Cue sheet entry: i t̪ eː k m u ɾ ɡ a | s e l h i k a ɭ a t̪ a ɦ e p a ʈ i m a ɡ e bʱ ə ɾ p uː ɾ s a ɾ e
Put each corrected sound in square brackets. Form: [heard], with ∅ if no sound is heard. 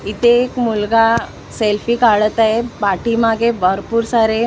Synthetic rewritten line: i t̪ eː k m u [l] ɡ a | s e l [f] i k a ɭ [ə] t̪ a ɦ e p a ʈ i m a ɡ e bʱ ə ɾ p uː ɾ s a ɾ e